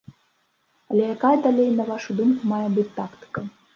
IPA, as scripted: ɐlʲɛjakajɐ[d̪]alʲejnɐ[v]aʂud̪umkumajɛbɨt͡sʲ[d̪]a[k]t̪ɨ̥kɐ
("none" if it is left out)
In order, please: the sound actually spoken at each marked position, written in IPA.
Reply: d̪, v, t̪, k

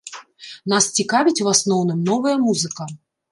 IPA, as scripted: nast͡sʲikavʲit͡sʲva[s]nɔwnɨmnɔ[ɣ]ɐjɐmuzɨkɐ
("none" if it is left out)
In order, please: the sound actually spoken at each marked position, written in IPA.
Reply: s, v

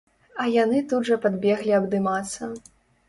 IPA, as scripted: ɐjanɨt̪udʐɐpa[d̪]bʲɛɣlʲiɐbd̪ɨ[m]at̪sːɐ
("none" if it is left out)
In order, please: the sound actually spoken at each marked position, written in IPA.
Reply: d̪, m

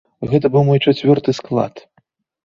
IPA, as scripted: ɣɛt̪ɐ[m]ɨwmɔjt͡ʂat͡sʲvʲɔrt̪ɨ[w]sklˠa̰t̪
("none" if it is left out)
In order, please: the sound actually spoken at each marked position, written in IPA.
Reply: b, none

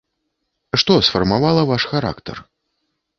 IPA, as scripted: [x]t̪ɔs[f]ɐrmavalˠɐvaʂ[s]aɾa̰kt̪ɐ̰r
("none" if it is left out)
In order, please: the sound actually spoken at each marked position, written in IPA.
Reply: ʂ, f, x

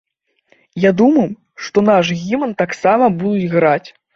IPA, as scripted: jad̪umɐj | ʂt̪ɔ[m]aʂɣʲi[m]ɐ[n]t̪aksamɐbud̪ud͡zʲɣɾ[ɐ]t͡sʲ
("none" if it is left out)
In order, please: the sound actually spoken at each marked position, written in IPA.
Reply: n, m, n, a

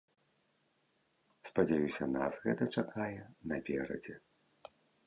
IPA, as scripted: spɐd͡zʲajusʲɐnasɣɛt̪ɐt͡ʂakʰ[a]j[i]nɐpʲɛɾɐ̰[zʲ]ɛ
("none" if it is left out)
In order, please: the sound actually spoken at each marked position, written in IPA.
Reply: a, ɛ, d͡zʲ

